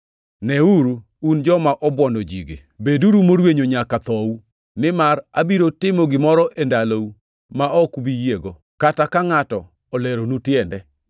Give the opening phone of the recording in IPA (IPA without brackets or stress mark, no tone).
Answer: n